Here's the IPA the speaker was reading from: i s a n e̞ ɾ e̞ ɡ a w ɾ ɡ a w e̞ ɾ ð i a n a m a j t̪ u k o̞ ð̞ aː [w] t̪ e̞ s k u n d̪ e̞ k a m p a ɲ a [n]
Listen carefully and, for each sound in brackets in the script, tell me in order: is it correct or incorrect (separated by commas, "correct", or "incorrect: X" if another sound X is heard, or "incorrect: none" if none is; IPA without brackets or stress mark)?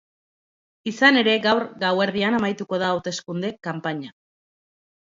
correct, incorrect: none